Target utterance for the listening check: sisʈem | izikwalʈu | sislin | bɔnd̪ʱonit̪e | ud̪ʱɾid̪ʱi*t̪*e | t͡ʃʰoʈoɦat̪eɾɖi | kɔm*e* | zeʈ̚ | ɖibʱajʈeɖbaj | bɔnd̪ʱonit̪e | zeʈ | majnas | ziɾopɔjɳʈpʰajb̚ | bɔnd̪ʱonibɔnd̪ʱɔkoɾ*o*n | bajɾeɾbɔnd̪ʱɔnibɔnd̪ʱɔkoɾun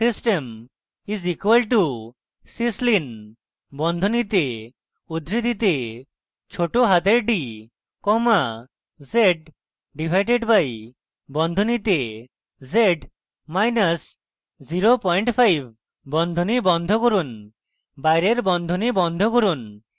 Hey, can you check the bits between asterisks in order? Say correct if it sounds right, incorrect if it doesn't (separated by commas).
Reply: correct, incorrect, incorrect